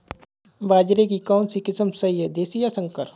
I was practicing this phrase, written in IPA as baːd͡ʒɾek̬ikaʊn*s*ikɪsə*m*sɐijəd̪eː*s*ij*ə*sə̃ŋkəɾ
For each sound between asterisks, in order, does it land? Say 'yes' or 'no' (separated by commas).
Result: yes, yes, yes, no